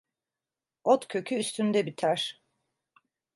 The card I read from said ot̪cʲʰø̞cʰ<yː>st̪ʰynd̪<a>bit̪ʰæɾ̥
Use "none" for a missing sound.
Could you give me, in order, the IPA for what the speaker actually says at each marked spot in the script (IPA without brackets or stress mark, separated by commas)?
yː, ɛ